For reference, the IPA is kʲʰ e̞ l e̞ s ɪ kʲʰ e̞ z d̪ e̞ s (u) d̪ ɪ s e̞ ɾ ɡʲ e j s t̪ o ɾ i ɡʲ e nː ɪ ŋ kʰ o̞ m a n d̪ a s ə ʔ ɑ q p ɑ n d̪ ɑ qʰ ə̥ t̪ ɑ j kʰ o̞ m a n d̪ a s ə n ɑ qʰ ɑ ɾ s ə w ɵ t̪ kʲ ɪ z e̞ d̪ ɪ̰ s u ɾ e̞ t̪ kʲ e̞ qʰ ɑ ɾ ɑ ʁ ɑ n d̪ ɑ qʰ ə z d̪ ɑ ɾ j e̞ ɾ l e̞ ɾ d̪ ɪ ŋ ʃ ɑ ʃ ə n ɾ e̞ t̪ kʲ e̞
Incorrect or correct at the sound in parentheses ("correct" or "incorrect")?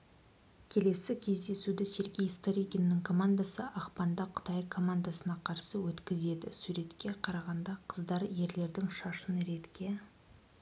correct